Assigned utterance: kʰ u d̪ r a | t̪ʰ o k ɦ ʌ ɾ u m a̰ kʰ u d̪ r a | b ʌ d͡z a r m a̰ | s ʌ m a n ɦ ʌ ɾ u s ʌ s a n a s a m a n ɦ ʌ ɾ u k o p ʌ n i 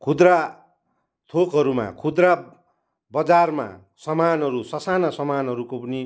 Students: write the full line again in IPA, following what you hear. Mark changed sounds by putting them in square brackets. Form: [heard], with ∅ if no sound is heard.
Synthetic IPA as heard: kʰ u d̪ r a | t̪ʰ o k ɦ ʌ ɾ u m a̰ kʰ u d̪ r a | b ʌ d͡z a r m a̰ | s ʌ m a n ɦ ʌ ɾ u s ʌ s a n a s [ʌ] m a n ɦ ʌ ɾ u k o p ʌ n i